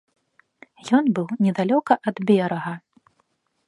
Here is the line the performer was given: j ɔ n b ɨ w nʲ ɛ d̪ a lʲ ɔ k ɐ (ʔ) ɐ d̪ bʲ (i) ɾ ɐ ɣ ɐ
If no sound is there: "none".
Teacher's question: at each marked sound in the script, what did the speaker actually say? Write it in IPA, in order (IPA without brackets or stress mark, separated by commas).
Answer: ʔ, ɛ